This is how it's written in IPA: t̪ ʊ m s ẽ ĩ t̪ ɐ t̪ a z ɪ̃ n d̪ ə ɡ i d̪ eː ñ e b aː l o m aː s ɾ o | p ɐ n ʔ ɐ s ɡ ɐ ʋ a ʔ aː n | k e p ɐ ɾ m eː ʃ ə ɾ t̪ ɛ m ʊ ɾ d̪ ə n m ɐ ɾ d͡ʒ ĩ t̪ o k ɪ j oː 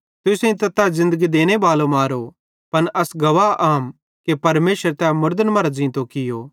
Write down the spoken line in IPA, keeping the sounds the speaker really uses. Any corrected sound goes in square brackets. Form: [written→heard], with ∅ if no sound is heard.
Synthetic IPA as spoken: t̪ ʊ [m→∅] s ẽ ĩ t̪ ɐ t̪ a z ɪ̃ n d̪ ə ɡ i d̪ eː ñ e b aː l o m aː [s→∅] ɾ o | p ɐ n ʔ ɐ s ɡ ɐ ʋ a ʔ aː [n→m] | k e p ɐ ɾ m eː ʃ ə ɾ t̪ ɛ m ʊ ɾ d̪ ə n m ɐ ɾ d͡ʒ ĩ t̪ o k ɪ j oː